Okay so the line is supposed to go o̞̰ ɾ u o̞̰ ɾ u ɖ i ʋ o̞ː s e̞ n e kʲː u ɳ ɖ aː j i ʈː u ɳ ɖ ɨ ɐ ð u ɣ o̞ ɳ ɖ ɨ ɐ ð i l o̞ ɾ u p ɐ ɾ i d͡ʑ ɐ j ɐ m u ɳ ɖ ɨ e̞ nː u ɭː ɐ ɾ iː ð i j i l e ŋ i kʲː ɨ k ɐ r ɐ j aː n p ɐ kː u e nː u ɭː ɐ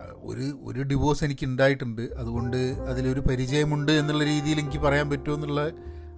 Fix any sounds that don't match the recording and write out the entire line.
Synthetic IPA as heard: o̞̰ ɾ u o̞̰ ɾ u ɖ i ʋ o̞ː s e̞ n i kʲː u ɳ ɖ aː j i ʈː u ɳ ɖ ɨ ɐ ð u ɣ o̞ ɳ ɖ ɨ ɐ ð i l o̞ ɾ u p ɐ ɾ i d͡ʑ ɐ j ɐ m u ɳ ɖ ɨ e̞ nː u ɭː ɐ ɾ iː ð i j i l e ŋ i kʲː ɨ p ɐ r ɐ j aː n p ɐ tː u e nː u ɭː ɐ